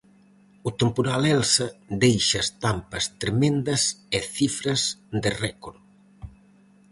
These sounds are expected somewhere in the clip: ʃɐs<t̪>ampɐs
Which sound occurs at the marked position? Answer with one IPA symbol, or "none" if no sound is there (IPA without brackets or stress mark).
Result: t̪